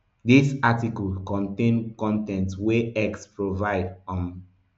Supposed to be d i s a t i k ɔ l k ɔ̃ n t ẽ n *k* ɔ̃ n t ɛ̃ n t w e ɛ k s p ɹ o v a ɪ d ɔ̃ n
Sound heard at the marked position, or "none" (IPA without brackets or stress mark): k